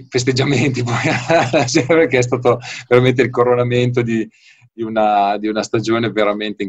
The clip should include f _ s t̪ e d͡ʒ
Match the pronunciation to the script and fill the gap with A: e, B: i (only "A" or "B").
A